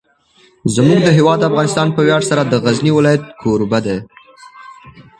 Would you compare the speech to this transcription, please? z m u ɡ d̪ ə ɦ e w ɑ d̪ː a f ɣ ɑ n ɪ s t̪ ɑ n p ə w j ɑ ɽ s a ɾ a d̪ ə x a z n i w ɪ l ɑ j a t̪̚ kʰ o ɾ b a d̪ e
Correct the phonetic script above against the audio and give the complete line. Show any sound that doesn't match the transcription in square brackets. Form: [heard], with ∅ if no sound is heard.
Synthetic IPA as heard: z m u ɡ d̪ ə ɦ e w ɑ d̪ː a f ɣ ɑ n ɪ s t̪ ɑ n p ə w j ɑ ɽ s a ɾ a d̪ ə [ɣ] a z n i w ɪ l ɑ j a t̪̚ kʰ o ɾ b a d̪ e